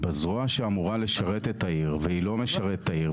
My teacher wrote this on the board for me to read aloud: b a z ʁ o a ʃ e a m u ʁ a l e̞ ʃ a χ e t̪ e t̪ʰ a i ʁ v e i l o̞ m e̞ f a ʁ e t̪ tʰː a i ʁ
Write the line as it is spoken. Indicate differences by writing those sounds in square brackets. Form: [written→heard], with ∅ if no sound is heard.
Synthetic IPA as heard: b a z ʁ o a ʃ e a m u ʁ a l e̞ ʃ a [χ→ʁ] e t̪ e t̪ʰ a i ʁ v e i l o̞ m e̞ [f→ʃ] a ʁ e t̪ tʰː a i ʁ